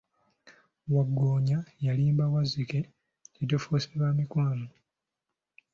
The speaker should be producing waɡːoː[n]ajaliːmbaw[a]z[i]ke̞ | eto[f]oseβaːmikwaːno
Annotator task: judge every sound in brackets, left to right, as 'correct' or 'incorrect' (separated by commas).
incorrect, correct, correct, correct